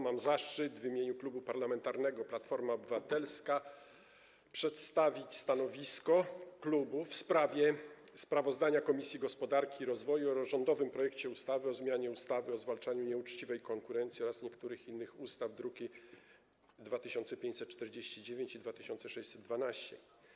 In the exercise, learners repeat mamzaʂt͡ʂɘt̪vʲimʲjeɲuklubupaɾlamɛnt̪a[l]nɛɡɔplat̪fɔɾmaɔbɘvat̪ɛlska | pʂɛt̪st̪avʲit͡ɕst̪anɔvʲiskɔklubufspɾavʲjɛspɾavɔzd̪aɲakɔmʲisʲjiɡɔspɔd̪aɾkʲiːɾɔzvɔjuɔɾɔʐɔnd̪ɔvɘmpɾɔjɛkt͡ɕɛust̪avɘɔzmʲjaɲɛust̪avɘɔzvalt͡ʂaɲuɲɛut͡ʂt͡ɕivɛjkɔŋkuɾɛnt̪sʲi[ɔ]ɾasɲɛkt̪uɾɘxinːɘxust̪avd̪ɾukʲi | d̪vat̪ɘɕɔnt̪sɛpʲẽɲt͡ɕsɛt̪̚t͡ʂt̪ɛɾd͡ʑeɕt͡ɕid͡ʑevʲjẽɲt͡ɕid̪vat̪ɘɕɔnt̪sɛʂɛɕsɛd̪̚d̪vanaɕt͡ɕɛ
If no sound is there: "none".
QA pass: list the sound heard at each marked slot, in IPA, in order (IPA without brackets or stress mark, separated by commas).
ɾ, ɔ